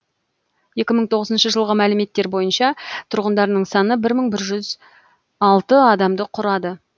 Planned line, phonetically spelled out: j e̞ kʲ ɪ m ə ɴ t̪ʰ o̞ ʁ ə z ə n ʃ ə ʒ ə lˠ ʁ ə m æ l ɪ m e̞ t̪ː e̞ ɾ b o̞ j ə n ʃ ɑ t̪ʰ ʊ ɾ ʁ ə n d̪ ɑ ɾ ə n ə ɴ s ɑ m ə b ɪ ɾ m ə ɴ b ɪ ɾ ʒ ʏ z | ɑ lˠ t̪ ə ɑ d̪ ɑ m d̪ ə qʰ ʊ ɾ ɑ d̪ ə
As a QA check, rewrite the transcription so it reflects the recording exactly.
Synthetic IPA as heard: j e̞ kʲ ɪ m ə ɴ t̪ʰ o̞ ʁ ə z ə n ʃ ə ʒ ə lˠ ʁ ə m æ l ɪ m e̞ t̪ː e̞ ɾ b o̞ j ə n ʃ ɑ t̪ʰ ʊ ɾ ʁ ə n d̪ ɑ ɾ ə n ə ɴ s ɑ n ə b ɪ ɾ m ə ɴ b ɪ ɾ ʒ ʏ z | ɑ lˠ t̪ ə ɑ d̪ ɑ m d̪ ə qʰ ʊ ɾ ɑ d̪ ə